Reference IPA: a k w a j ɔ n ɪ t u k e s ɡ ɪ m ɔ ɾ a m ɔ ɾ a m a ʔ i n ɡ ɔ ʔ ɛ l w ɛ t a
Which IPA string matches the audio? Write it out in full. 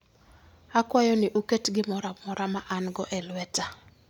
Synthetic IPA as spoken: a k w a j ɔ n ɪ ʔ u k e t ɡ ɪ m ɔ ɾ a m ɔ ɾ a m a ʔ a n ɡ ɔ ʔ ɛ l w ɛ t a

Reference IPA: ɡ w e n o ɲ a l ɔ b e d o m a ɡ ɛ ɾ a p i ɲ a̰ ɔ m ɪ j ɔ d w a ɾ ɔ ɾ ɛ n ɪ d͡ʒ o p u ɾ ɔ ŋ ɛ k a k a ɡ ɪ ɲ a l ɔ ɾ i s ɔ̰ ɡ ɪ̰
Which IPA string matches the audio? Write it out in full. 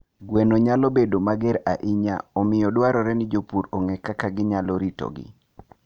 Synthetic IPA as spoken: ɡ w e n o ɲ a l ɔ b e d o m a ɡ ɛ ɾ a ʔ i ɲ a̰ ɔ m ɪ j ɔ d w a ɾ ɔ ɾ ɛ n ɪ d͡ʒ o p u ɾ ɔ ŋ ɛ k a k a ɡ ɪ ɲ a l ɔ ɾ i t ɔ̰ ɡ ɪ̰

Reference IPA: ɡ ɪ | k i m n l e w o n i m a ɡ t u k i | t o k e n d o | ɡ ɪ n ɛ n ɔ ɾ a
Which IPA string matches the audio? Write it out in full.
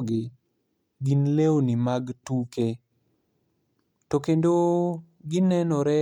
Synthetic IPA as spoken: ɡ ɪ | ɡ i n l e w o n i m a ɡ t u k e | t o k e n d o | ɡ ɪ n ɛ n ɔ ɾ ɛ

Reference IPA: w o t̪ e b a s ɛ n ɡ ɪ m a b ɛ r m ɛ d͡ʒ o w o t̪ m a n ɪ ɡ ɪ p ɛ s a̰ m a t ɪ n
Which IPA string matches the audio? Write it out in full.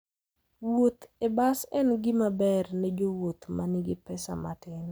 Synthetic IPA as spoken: w o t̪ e b a s ɛ n ɡ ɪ m a b ɛ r n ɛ d͡ʒ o w o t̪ m a n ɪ ɡ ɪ p ɛ s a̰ m a t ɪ n

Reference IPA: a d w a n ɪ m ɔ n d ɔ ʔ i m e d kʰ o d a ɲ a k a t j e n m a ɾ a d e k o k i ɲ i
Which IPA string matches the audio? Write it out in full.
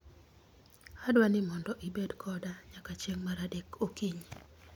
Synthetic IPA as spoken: a d w a n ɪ m ɔ n d ɔ ʔ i b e d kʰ ɔ d a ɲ a k a t͡ʃ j e ŋ m a ɾ a d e k o k i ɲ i

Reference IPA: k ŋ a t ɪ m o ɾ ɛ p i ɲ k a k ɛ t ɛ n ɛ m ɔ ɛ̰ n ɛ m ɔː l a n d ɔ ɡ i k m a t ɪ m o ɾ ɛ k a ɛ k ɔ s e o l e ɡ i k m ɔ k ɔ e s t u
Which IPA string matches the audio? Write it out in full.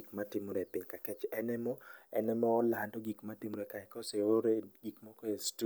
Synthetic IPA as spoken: k m a t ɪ m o ɾ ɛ p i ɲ k a k ɛ t͡ʃ ɛ n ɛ m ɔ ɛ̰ n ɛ m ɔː l a n d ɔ ɡ i k m a t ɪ m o ɾ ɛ k a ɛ k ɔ s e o ɾ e ɡ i k m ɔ k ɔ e s t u

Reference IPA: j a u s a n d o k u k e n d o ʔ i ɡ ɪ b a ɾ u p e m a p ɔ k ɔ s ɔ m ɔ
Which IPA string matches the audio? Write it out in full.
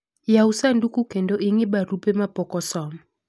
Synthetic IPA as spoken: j a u s a n d u k u k e n d o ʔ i ŋ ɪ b a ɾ u p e m a p ɔ k ɔ s ɔ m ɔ

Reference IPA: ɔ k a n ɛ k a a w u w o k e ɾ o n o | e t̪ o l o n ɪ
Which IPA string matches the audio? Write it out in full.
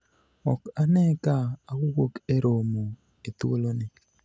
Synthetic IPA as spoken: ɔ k a n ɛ k a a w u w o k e ɾ o m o | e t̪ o l o n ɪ

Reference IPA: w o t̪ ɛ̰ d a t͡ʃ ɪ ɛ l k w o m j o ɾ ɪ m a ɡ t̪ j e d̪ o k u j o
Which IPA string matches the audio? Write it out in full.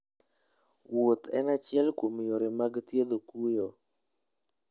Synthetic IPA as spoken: w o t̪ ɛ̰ n a t͡ʃ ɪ ɛ l k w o m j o ɾ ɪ m a ɡ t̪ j e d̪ o k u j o

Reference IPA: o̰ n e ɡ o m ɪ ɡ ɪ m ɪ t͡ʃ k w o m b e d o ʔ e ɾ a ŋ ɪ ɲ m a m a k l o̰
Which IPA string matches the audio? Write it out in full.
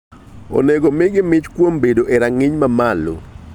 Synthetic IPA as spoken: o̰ n e ɡ o m ɪ ɡ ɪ m ɪ t͡ʃ k w o m b e d o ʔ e ɾ a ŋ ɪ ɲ m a m a l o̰

